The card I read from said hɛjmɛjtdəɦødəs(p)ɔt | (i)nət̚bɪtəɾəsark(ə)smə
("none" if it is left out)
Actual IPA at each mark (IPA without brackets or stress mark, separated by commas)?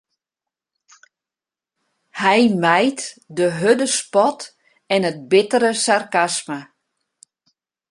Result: p, ɛ, a